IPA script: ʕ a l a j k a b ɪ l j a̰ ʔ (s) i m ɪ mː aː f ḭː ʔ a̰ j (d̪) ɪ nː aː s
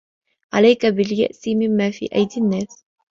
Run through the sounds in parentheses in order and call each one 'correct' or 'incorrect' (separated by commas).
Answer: correct, correct